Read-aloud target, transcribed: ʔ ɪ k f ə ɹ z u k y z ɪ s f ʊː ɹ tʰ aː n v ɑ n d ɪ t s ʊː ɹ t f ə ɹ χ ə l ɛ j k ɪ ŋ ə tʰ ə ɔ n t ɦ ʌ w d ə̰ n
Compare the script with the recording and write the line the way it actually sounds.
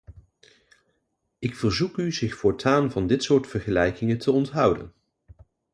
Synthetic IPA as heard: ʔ ɪ k f ə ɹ z u k y z ɪ χ f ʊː ɹ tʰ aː n v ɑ n d ɪ t s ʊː ɹ t f ə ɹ χ ə l ɛ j k ɪ ŋ ə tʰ ə ɔ n t ɦ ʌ w d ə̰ n